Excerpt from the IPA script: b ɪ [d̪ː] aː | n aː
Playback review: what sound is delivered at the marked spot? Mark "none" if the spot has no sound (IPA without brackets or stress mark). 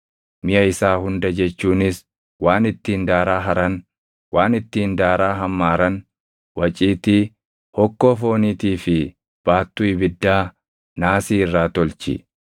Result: d̪ː